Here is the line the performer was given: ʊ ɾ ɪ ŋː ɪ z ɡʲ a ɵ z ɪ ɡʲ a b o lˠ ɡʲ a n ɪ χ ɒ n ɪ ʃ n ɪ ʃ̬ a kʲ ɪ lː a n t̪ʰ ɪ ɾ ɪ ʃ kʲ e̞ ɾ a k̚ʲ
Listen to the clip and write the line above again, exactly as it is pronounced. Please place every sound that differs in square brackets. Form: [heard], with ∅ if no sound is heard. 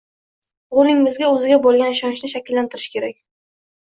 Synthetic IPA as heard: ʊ ɾ ɪ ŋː ɪ z ɡʲ a ɵ z ɪ ɡʲ a b o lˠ ɡʲ a n ɪ [ʃ] ɒ n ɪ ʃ n ɪ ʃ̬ a kʲ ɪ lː a n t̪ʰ ɪ ɾ ɪ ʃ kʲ e̞ ɾ a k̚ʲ